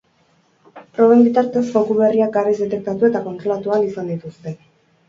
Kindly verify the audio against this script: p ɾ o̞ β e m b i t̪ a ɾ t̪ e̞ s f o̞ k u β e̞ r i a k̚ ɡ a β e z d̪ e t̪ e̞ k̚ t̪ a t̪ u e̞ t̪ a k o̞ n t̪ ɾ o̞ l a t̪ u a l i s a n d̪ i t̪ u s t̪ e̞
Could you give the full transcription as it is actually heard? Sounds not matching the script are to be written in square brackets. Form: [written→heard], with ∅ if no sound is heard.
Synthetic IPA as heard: p ɾ o̞ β e m b i t̪ a ɾ t̪ e̞ s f o̞ k u β e̞ r i a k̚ ɡ a β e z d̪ e t̪ e̞ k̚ t̪ a t̪ u e̞ t̪ a k o̞ n t̪ ɾ o̞ l a t̪ u a l i s a n d̪ i t̪ u s t̪ e̞

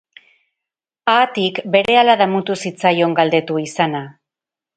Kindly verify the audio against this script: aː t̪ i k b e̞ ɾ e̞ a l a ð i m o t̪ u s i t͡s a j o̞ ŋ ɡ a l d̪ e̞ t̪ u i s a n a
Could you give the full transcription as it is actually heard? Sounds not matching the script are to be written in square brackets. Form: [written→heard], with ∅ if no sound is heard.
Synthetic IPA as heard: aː t̪ i k b e̞ ɾ e̞ a l a ð [i→a] m [o→u] t̪ u s i t͡s a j o̞ ŋ ɡ a l d̪ e̞ t̪ u i s a n a

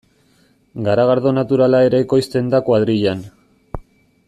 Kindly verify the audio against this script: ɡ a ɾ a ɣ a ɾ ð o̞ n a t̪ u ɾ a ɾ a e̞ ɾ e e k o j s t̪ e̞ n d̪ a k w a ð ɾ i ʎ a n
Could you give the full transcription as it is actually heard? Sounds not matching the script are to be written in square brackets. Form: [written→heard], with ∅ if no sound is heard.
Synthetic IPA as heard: ɡ a ɾ a ɣ a ɾ ð o̞ n a t̪ u ɾ a [ɾ→l] a e̞ ɾ e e k o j s t̪ e̞ n d̪ a k w a ð ɾ i ʎ a n

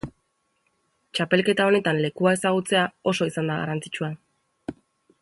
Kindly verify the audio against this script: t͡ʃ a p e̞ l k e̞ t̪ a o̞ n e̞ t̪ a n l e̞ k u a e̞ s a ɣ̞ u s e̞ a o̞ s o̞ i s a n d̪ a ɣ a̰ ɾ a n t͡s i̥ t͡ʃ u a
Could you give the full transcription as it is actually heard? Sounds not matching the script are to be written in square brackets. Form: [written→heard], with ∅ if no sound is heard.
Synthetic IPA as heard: t͡ʃ a p e̞ l k e̞ t̪ a o̞ n e̞ t̪ a n l e̞ k u a e̞ s a ɣ̞ u [s→t͡s] e̞ a o̞ s o̞ i s a n d̪ a ɣ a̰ ɾ a n t͡s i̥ t͡ʃ u a

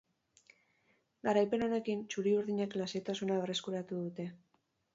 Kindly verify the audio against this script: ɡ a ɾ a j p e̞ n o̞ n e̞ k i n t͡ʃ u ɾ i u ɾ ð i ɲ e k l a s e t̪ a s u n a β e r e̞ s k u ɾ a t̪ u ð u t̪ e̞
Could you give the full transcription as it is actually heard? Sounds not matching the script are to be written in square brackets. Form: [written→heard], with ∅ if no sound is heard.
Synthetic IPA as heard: ɡ a ɾ a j p e̞ n o̞ n e̞ k i n t͡ʃ u ɾ i u ɾ ð i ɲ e k l a s e t̪ a s u n a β e r e̞ s k u ɾ a t̪ u ð u t̪ e̞

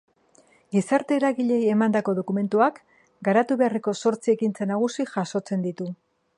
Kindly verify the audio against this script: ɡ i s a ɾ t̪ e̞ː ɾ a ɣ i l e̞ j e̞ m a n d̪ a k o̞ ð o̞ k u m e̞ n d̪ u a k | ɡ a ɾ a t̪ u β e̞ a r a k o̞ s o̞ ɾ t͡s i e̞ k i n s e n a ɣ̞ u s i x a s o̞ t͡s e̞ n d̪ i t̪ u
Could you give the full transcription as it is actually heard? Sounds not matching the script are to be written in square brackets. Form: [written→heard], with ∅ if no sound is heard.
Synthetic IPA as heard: ɡ i s a ɾ t̪ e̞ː ɾ a ɣ i [l→ʎ] e̞ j e̞ m a n d̪ a k o̞ ð o̞ k u m e̞ n [d̪→t̪] u a k | ɡ a ɾ a t̪ u β e̞ a r [a→e] k o̞ s o̞ ɾ t͡s i e̞ k i n [s→t͡s] e n a ɣ̞ u s i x a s o̞ t͡s e̞ n d̪ i t̪ u

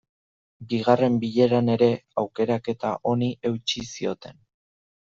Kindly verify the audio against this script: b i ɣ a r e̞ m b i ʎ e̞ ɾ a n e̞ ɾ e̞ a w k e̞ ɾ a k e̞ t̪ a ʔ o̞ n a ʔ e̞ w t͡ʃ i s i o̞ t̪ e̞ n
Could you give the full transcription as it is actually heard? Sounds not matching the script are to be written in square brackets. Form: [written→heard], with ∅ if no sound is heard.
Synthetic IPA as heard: b i ɣ a r e̞ m b i ʎ e̞ ɾ a n e̞ ɾ e̞ a w k e̞ ɾ a k e̞ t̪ a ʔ o̞ n [a→i] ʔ e̞ w t͡ʃ i s i o̞ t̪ e̞ n

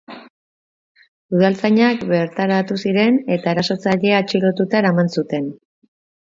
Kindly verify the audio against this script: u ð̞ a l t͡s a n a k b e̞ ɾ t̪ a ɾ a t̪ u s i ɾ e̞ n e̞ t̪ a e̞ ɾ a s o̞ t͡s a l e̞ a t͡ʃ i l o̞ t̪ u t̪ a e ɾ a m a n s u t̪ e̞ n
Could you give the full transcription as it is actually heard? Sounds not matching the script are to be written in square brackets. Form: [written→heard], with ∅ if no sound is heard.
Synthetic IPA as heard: u ð̞ a l t͡s a [n→ɲ] a k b e̞ ɾ t̪ a ɾ a t̪ u s i ɾ e̞ n e̞ t̪ a e̞ ɾ a s o̞ t͡s a [l→ʎ] e̞ a t͡ʃ i l o̞ t̪ u t̪ a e ɾ a m a n s u t̪ e̞ n

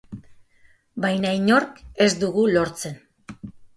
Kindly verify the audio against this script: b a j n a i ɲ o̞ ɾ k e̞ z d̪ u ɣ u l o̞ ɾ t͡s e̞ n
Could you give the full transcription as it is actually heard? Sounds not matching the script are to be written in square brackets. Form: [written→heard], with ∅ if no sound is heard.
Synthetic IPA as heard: b a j n a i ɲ o̞ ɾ k e̞ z d̪ u ɣ u l o̞ ɾ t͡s e̞ n

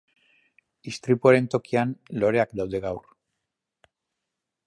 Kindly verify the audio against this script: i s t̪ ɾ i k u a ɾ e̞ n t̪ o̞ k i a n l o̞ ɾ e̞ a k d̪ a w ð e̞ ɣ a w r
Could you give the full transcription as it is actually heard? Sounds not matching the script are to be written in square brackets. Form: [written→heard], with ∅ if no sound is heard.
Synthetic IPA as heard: i s t̪ ɾ i [k→p] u a ɾ e̞ n t̪ o̞ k i a n l o̞ ɾ e̞ a k d̪ a w ð e̞ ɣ a w r

